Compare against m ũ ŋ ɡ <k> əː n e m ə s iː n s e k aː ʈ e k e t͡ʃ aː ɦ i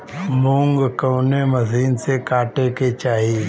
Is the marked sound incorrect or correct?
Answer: correct